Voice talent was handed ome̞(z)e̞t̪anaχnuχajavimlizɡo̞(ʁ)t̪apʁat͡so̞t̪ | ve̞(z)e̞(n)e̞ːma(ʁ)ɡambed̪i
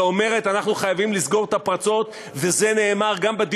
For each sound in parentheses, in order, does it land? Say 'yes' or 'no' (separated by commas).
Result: no, yes, yes, yes, yes